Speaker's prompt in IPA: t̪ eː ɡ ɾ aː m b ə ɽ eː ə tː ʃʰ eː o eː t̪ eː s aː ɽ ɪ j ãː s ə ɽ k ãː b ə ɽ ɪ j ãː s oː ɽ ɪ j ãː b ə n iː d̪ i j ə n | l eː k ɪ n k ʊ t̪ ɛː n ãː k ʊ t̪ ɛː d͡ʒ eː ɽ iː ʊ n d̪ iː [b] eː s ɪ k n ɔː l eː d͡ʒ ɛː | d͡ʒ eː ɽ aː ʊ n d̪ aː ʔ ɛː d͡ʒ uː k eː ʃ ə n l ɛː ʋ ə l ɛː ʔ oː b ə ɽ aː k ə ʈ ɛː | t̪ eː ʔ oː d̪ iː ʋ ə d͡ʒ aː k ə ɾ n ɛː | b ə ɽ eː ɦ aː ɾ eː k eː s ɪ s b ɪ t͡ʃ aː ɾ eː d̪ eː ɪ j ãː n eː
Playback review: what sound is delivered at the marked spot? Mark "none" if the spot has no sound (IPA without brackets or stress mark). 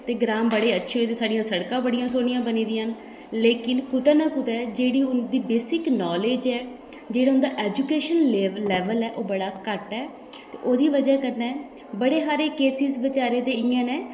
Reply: b